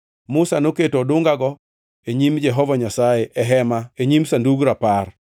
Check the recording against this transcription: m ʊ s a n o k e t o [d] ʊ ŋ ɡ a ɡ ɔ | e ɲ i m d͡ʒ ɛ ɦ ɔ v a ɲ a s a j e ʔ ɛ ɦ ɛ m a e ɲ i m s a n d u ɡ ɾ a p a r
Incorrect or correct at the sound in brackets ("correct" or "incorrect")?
correct